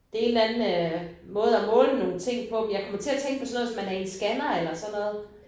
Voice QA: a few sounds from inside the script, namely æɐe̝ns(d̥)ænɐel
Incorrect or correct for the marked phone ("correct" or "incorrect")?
incorrect